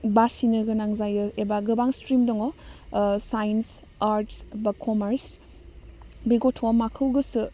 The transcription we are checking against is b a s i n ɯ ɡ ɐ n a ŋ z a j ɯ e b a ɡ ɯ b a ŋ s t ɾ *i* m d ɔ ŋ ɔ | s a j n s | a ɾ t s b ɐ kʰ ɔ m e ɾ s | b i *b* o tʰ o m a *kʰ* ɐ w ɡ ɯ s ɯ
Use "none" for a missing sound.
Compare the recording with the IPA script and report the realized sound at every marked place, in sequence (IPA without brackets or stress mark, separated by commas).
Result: i, ɡ, kʰ